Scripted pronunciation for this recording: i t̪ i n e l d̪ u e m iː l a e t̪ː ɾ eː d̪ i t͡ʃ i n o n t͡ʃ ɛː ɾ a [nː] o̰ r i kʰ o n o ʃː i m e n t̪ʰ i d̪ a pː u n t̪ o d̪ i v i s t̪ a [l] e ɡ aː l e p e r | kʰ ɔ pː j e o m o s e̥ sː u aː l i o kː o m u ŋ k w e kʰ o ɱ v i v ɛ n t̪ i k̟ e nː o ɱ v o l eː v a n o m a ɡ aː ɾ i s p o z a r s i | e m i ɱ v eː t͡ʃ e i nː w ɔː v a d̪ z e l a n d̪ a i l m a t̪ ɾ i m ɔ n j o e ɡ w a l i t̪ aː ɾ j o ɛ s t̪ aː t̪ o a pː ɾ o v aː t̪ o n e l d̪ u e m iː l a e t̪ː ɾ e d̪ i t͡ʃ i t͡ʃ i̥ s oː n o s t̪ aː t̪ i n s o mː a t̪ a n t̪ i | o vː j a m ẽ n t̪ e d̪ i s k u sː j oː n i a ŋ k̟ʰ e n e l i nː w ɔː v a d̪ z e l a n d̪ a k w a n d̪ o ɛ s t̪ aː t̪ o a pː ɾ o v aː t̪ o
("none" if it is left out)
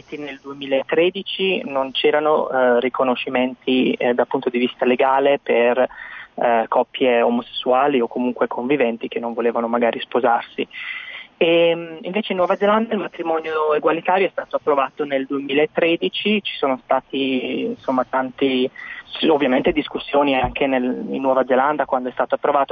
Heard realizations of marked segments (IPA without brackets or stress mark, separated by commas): n, l